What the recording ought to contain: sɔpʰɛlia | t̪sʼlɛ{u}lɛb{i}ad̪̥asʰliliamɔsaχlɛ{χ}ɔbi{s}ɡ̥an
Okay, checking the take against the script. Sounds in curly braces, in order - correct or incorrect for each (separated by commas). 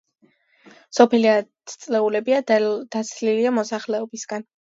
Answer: correct, correct, incorrect, correct